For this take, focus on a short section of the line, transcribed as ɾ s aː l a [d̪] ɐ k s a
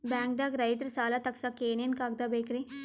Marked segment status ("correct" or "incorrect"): incorrect